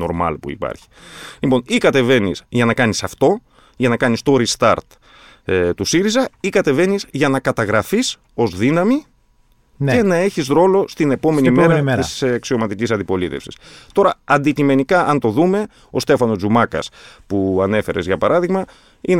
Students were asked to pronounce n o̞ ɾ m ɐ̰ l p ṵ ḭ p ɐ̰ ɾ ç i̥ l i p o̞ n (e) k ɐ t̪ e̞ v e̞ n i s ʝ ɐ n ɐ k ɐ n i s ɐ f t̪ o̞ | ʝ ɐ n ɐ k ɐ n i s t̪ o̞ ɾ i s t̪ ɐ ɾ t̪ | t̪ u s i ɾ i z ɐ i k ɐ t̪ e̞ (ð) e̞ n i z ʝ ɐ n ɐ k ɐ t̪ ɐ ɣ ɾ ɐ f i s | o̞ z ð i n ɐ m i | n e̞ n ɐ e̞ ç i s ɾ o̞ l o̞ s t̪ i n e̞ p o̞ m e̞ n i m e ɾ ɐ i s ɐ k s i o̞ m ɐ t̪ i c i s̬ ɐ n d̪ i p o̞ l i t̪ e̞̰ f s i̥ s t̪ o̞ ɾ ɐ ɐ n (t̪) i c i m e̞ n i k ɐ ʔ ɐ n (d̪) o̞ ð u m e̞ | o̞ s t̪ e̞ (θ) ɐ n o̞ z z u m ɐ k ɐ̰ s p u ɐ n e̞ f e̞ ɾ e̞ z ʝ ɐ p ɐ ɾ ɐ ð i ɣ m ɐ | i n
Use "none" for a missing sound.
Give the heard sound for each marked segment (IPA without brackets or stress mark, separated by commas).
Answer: i, v, d̪, t̪, f